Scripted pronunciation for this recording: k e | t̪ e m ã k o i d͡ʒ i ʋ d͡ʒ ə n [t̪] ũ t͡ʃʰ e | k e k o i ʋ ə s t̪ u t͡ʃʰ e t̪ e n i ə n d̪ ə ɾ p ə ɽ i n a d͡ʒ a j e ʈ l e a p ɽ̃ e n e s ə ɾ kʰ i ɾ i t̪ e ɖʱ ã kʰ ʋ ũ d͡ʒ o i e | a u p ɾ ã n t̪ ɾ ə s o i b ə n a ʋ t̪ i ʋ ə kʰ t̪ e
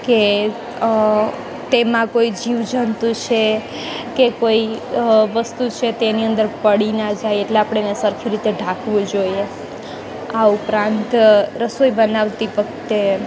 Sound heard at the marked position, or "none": t̪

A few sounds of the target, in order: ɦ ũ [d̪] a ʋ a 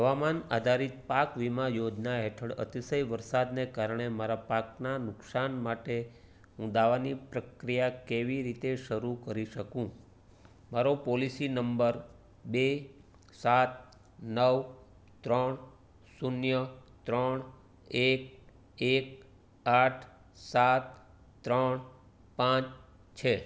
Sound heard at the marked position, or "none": d̪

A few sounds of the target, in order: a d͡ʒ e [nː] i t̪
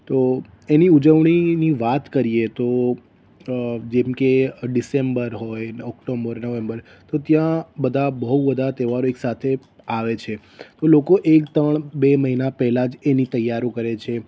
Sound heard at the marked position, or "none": n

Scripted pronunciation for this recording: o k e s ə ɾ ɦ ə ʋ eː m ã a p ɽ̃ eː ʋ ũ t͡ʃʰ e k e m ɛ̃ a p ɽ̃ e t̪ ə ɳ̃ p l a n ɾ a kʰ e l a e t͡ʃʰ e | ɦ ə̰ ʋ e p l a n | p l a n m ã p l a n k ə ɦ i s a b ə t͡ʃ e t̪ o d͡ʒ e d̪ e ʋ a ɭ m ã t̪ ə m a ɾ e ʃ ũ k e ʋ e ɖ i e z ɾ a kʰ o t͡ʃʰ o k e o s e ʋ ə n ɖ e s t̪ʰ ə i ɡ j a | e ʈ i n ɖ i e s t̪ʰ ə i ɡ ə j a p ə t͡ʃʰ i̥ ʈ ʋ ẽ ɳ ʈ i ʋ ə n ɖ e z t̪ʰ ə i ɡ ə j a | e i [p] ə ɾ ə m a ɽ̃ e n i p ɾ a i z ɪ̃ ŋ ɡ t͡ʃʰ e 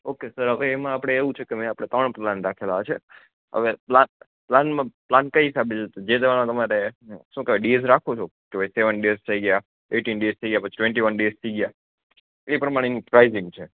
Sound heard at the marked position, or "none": p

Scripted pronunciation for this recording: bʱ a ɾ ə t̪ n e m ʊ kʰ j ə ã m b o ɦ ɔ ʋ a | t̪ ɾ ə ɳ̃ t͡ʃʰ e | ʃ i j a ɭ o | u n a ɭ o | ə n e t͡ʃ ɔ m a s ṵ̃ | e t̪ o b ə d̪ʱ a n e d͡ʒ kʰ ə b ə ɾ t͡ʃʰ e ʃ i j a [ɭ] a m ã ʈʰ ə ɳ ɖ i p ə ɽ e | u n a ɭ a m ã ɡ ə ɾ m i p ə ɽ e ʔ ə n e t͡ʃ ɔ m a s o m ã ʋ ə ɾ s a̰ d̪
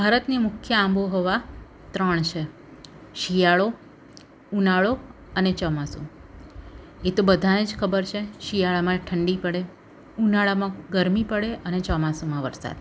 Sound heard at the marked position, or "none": ɭ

